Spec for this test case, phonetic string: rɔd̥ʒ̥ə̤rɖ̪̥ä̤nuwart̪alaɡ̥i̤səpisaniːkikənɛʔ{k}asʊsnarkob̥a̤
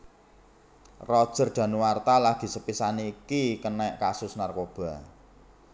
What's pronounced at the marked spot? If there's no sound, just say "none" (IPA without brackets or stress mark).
k